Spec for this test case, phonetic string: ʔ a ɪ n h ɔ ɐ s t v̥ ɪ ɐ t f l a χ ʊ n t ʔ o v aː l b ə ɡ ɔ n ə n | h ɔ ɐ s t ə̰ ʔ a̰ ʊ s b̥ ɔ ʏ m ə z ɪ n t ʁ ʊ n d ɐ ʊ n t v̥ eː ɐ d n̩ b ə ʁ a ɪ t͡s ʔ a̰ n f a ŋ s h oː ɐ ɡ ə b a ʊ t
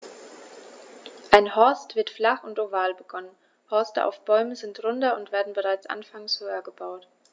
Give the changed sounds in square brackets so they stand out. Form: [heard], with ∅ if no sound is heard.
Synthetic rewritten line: ʔ a ɪ n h ɔ ɐ s t v̥ ɪ ɐ t f l a χ ʊ n t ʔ o v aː l b ə ɡ ɔ n ə n | h ɔ ɐ s t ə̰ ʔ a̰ ʊ [f] b̥ ɔ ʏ m ə z ɪ n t ʁ ʊ n d ɐ ʊ n t v̥ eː ɐ d n̩ b ə ʁ a ɪ t͡s ʔ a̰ n f a ŋ s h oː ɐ ɡ ə b a ʊ t